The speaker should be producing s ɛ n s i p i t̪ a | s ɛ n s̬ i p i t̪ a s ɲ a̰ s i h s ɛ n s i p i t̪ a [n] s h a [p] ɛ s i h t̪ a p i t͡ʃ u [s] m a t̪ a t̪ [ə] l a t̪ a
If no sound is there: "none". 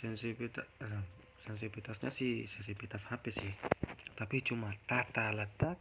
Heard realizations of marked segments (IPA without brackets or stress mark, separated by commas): none, p, none, a